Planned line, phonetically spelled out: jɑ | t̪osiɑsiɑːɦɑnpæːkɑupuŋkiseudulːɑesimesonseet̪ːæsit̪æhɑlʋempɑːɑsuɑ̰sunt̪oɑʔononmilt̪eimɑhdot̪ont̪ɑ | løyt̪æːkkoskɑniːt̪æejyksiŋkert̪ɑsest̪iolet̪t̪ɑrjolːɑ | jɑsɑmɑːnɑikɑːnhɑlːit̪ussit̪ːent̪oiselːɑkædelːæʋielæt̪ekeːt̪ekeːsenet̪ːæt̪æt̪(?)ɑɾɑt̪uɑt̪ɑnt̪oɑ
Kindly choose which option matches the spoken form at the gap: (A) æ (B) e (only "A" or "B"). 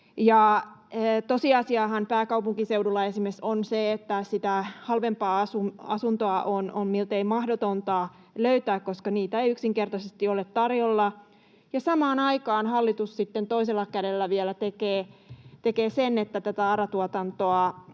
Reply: A